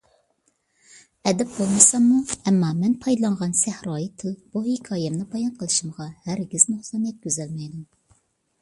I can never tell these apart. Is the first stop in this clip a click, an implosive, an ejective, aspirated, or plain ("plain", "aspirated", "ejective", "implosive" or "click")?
plain